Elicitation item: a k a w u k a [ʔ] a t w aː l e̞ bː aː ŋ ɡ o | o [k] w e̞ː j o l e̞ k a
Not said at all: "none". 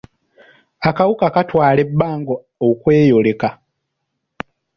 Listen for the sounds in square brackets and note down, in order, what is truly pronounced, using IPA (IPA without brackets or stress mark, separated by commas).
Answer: k, k